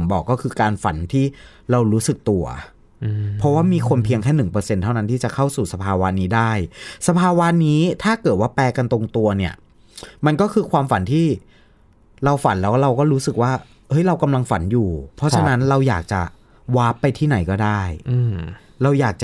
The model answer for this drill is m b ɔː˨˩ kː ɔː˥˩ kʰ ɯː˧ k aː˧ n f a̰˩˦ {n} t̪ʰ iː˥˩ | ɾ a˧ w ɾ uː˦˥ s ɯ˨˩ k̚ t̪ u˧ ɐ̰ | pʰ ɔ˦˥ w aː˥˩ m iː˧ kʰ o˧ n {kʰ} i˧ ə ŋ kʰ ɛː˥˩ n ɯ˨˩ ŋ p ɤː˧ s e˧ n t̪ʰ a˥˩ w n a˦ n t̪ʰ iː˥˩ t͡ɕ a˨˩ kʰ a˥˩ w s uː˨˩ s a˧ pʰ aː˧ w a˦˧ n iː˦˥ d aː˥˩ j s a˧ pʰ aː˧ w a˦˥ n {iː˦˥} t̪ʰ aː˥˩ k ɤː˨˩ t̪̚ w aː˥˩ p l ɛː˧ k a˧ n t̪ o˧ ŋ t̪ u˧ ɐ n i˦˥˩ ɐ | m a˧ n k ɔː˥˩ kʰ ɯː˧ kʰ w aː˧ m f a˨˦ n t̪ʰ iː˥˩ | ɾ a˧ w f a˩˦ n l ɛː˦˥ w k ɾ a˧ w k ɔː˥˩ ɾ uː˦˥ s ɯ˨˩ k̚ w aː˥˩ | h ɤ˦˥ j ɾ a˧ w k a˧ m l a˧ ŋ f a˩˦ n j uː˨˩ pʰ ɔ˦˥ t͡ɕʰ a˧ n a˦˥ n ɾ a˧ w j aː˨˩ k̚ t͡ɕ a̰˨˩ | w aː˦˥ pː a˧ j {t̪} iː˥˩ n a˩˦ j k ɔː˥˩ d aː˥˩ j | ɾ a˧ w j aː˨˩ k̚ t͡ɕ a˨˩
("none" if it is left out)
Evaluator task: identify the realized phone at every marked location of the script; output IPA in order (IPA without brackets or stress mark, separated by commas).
n, pʰ, iː˦˥, t̪ʰ